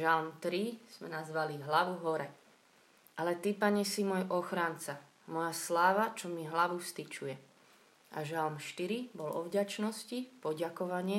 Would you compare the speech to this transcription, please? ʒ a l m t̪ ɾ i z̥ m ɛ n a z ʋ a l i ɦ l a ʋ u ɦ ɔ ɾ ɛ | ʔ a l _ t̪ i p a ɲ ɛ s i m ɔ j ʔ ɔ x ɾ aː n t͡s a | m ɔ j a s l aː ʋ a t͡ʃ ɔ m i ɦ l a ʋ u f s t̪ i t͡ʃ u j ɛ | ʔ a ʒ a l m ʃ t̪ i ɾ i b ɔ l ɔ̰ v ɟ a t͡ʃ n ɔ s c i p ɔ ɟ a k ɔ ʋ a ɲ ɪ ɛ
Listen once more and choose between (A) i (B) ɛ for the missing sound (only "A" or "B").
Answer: B